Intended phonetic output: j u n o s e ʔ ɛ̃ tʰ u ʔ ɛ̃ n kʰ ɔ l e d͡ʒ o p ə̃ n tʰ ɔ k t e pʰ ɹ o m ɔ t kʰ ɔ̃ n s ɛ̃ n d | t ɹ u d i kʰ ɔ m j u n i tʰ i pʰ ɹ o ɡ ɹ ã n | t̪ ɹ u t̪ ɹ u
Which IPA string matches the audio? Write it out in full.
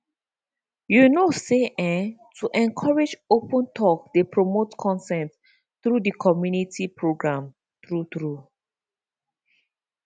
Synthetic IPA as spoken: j u n o s e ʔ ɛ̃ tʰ u ʔ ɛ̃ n kʰ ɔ ɹ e d͡ʒ o p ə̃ n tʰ ɔ k d e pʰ ɹ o m o t kʰ ɔ̃ n s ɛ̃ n t | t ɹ u d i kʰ ɔ m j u n i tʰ i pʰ ɹ o ɡ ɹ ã m | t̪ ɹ u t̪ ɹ u